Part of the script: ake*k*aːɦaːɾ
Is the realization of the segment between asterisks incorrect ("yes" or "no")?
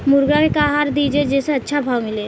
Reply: no